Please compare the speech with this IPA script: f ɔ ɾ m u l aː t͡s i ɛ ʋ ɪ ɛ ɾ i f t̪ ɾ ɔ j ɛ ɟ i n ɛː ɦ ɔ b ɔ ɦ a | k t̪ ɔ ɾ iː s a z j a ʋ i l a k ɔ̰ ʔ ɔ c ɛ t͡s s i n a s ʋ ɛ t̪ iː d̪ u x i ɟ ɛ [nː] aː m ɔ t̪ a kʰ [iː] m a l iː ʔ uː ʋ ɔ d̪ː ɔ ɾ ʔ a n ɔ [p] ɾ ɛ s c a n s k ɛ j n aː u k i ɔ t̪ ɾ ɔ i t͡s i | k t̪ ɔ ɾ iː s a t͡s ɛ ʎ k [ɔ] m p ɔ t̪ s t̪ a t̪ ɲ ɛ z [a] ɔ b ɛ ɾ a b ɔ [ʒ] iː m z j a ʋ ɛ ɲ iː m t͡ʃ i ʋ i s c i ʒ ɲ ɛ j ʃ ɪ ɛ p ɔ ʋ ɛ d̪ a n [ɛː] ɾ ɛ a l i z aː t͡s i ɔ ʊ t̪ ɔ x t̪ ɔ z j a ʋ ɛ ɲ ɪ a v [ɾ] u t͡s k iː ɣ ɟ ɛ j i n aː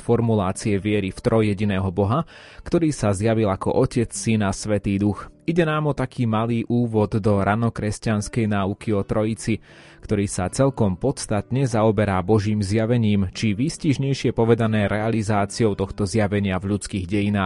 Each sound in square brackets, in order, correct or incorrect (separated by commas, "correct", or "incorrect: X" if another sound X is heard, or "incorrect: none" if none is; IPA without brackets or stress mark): incorrect: n, correct, incorrect: k, correct, correct, correct, correct, incorrect: ʎ